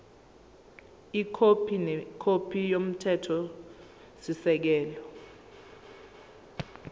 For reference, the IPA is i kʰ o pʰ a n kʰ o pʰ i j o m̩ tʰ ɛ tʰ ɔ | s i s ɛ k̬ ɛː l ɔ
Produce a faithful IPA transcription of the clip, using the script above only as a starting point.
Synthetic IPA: i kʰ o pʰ i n kʰ o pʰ i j o m̩ tʰ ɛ tʰ ɔ | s i s ɛ k̬ ɛː l ɔ